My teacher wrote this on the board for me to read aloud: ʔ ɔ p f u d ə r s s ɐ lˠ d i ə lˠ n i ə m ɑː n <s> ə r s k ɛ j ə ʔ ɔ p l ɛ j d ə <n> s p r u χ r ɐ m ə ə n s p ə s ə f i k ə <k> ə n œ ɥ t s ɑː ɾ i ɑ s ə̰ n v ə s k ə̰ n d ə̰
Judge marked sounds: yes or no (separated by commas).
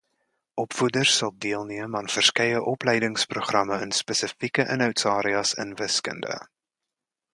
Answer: no, no, no